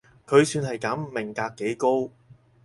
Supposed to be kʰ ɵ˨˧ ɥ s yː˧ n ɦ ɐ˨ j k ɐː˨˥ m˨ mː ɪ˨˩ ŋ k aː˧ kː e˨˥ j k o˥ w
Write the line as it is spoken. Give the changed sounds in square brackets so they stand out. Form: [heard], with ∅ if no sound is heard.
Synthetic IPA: kʰ ɵ˨˧ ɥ s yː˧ n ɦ ɐ˨ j k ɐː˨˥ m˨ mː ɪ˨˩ ŋ k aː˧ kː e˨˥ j k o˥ w